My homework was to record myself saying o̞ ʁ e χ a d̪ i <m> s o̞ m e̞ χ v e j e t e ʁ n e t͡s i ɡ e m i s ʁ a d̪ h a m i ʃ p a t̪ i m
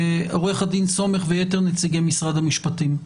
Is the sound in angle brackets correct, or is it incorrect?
incorrect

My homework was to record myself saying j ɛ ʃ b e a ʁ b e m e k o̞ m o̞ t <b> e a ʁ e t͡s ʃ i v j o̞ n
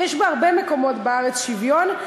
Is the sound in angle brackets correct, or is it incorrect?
correct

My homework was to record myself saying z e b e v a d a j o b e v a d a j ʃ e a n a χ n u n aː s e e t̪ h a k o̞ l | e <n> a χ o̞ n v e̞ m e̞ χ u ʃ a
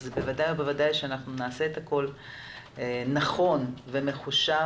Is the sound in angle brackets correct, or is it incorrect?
correct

